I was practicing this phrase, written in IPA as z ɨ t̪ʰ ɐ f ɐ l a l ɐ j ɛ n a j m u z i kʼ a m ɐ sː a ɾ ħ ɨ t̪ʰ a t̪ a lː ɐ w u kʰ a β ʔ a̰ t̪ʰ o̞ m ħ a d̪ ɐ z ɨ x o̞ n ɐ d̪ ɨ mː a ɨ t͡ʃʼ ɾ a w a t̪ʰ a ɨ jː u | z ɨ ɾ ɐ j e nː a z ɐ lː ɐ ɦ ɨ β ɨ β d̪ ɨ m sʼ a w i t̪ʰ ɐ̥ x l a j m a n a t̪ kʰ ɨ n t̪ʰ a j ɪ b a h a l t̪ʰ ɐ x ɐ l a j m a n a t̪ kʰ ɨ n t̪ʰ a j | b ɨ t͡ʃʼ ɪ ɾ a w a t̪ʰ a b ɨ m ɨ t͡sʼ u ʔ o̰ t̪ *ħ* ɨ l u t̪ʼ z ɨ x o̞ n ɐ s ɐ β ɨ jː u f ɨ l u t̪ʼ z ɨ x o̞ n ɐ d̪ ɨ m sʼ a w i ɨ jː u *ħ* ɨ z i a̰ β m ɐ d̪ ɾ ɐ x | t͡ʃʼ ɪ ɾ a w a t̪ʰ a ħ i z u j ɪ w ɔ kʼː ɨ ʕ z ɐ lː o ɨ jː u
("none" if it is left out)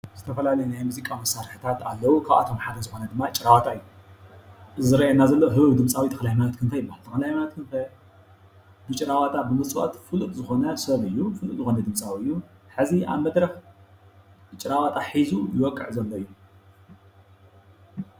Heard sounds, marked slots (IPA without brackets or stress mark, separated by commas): f, ħ